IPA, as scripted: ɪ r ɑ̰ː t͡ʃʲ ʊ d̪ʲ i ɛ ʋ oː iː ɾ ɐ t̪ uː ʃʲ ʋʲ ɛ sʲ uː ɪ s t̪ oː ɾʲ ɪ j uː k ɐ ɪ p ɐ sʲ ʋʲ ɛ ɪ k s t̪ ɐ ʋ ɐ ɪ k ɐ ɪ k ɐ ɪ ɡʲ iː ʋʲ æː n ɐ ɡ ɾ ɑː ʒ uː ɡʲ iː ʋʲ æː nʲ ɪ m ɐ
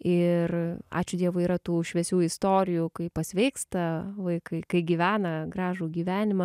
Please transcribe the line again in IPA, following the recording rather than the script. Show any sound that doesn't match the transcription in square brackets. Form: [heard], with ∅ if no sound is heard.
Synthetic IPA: ɪ r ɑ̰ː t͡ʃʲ ʊ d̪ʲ i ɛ ʋ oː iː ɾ ɐ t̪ uː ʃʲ ʋʲ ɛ sʲ uː ɪ s t̪ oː ɾʲ ɪ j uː k ɐ ɪ p ɐ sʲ ʋʲ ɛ ɪ k s t̪ ɐ ʋ ɐ ɪ k ɐ ɪ k ɐ ɪ ɡʲ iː ʋʲ æː n ɐ ɡ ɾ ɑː ʒ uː ɡʲ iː ʋʲ æː nʲ ɪ m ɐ